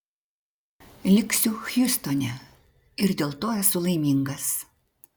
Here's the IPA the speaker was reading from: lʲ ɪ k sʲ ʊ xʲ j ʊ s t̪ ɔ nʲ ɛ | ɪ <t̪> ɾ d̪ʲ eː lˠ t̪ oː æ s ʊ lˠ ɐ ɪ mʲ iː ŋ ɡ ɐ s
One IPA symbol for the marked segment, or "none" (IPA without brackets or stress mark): none